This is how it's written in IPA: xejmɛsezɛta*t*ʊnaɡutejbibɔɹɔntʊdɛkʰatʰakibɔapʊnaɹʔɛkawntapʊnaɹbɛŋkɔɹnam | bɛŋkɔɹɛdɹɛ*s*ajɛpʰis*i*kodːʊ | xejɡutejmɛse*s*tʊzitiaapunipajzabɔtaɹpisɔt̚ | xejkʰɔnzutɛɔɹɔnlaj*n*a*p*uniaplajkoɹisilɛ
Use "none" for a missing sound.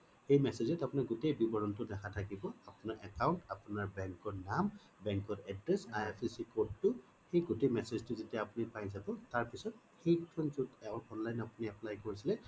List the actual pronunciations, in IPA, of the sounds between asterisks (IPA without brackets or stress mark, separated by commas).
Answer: p, s, i, z, n, p